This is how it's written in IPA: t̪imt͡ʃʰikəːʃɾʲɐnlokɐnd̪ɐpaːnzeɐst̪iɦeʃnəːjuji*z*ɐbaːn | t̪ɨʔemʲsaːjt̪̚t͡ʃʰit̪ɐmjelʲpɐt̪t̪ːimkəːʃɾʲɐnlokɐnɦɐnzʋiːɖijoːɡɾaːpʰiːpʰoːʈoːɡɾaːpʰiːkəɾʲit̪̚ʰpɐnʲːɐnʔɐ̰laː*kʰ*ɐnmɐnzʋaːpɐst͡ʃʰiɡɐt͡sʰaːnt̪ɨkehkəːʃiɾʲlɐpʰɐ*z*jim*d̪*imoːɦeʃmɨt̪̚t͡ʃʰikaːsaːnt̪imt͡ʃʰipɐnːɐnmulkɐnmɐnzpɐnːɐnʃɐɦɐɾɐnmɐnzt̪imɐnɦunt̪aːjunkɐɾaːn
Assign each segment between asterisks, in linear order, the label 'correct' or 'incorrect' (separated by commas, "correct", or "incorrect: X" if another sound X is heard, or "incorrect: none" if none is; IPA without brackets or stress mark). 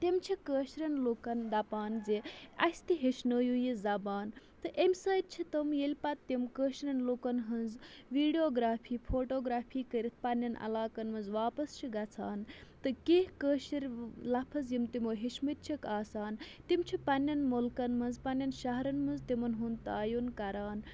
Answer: correct, incorrect: k, correct, incorrect: t̪